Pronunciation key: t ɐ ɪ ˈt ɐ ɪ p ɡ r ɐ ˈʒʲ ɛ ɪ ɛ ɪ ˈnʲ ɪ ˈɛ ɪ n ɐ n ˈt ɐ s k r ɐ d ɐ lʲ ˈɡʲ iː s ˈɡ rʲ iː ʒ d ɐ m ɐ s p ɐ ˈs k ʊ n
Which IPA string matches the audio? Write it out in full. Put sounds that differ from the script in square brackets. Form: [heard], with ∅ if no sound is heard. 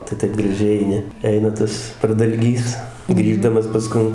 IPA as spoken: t ɐ ɪ ˈt ɐ ɪ p ɡ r ɐ ˈʒʲ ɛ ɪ ɛ ɪ ˈnʲ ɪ ˈɛ ɪ n ɐ [∅] ˈt ɐ s [p] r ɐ d ɐ lʲ ˈɡʲ iː s ˈɡ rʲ iː ʒ d ɐ m ɐ s p ɐ ˈs k ʊ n